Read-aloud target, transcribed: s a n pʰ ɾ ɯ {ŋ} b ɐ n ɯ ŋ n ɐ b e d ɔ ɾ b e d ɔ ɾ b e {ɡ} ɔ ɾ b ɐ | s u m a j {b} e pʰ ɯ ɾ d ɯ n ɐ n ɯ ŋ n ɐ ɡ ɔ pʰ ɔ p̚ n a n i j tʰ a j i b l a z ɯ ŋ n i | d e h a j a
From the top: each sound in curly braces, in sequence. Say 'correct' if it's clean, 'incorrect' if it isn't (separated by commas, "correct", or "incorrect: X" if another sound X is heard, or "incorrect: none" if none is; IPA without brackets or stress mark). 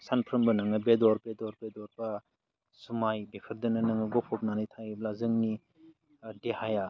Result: incorrect: m, incorrect: d, correct